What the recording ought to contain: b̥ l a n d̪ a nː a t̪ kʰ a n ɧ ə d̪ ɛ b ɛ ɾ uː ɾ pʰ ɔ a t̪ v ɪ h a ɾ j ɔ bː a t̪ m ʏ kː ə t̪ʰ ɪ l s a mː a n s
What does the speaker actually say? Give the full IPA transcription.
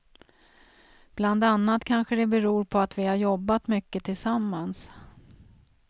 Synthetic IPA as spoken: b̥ l a n d̪ a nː a t̪ kʰ a n ɧ ə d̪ ɛ b ɛ ɾ uː ɾ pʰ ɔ a t̪ v ɪ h a ɾ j ɔ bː a t̪ m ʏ kː ə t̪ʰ ɪ l s a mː a n s